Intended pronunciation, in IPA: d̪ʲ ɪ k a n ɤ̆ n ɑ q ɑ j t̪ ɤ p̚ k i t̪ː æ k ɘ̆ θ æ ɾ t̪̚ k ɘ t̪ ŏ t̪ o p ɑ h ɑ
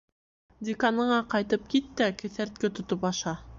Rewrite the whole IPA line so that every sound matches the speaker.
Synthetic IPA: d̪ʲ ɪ k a n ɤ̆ ɴ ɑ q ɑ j t̪ ɤ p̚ k i t̪ː æ k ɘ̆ θ æ ɾ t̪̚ k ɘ t̪ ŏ t̪ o p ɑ ʃ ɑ